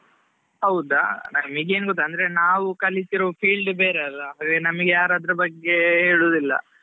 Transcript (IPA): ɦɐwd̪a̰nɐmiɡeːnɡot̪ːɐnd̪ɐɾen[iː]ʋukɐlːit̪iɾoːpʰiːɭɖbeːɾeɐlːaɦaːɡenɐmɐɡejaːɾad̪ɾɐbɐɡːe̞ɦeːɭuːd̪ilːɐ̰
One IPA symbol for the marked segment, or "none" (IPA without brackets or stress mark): aː